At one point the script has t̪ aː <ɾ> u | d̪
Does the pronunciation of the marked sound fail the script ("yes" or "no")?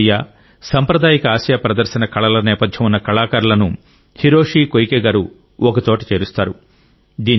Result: no